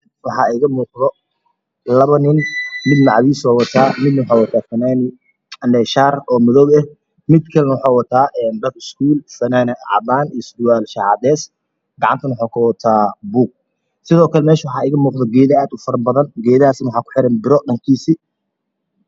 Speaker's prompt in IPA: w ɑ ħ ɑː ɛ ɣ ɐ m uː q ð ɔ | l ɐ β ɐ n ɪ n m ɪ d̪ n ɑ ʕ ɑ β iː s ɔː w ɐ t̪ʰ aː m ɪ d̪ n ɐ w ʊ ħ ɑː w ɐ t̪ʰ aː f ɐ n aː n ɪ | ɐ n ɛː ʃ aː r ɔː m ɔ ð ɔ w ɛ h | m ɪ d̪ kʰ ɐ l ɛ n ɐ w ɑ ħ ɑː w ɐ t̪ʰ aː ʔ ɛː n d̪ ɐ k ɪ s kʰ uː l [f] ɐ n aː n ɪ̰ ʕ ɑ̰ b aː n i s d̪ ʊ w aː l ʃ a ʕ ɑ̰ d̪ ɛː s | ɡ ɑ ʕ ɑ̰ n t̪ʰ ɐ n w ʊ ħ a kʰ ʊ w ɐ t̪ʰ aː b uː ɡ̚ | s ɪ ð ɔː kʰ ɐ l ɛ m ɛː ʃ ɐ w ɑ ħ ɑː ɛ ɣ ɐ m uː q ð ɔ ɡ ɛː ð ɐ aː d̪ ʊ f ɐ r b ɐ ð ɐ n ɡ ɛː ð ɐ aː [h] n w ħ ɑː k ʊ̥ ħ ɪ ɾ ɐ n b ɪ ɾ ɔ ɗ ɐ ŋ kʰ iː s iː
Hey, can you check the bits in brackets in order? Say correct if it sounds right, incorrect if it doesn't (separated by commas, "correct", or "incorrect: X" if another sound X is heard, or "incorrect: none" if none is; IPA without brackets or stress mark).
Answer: correct, incorrect: s